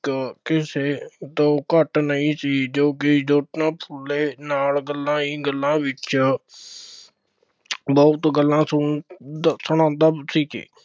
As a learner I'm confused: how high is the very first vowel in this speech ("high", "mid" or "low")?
high